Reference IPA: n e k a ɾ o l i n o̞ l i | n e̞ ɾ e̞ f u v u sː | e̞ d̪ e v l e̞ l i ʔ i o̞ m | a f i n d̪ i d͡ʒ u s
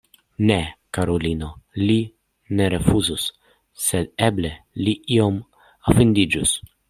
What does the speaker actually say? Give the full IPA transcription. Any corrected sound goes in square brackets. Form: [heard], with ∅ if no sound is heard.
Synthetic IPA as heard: n e k a ɾ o l i n o̞ l i | n e̞ ɾ e̞ f u [z] u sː | e̞ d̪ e [b] l e̞ l i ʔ i o̞ m | a f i n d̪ i d͡ʒ u s